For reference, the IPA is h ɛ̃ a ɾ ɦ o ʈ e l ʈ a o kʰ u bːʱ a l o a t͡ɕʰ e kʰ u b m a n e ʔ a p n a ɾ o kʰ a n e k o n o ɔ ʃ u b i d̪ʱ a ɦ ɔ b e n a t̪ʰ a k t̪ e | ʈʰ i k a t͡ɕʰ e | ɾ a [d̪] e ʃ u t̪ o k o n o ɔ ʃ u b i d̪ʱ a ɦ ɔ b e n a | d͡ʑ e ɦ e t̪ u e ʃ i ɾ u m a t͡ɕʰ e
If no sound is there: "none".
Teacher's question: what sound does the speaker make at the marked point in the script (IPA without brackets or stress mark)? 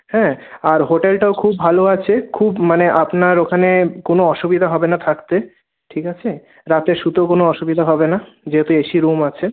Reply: t̪